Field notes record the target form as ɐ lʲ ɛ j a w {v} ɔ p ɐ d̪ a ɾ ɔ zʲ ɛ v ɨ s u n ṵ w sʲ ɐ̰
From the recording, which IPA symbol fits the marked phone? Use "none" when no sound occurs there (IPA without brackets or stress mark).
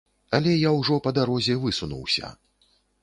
ʐ